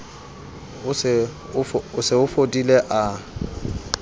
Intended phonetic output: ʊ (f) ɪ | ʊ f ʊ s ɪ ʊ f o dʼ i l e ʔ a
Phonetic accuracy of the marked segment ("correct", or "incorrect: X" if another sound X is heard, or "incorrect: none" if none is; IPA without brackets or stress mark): incorrect: s